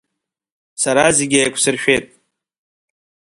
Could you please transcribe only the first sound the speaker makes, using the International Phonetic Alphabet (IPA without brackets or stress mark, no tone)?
s